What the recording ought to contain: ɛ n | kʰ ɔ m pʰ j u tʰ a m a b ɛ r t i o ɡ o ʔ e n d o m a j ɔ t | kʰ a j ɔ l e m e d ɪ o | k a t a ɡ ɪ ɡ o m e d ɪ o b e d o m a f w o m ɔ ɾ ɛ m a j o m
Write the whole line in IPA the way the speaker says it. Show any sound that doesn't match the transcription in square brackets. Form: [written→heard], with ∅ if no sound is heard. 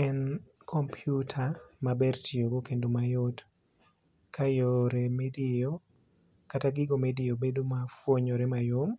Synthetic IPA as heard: ɛ n | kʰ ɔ m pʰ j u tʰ a m a b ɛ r t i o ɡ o [ʔ→k] e n d o m a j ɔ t | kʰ a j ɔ [l→ɾ] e m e d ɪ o | k a t a ɡ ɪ ɡ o m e d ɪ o b e d o m a f w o [m→ɲ] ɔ ɾ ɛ m a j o m